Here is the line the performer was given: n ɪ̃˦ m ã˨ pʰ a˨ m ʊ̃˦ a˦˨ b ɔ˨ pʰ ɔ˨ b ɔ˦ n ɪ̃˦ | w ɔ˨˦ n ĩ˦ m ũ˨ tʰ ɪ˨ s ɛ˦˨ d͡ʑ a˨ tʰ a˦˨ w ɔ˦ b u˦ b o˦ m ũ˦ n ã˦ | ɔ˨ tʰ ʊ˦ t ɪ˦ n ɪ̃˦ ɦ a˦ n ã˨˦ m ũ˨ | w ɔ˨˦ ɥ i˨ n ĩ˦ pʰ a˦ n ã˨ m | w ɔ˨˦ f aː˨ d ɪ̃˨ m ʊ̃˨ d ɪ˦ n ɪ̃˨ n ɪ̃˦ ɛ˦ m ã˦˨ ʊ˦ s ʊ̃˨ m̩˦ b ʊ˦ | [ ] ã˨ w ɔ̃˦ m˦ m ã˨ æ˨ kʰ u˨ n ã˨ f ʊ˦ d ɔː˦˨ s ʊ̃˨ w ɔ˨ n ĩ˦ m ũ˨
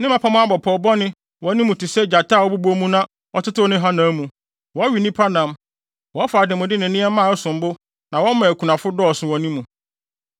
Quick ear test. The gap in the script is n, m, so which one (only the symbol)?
n